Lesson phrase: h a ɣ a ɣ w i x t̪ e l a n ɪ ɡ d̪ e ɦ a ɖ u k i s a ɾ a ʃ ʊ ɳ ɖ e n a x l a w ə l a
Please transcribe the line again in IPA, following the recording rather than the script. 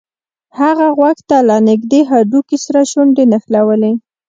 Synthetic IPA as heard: h a ɣ a ɣ w a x t̪ a l a n ɪ ɡ d̪ e ɦ a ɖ u k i s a ɾ a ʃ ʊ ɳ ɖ e n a x l a w ə l e